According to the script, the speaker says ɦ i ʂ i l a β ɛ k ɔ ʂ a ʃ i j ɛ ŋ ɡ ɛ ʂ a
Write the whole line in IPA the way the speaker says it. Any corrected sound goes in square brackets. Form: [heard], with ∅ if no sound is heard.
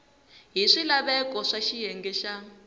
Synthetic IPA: ɦ i ʂ i l a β ɛ k ɔ ʂ a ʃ i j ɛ ŋ ɡ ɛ [ʃ] a